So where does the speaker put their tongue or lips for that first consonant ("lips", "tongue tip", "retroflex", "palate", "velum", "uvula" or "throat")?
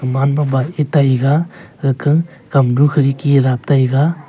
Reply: lips